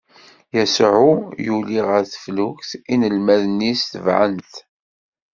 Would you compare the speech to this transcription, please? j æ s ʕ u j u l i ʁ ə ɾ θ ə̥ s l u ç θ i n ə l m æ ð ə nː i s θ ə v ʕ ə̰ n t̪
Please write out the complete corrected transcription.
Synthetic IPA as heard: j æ s ʕ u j u l i ʁ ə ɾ θ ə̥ f l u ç θ i n ə l m æ ð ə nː i s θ ə v ʕ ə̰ n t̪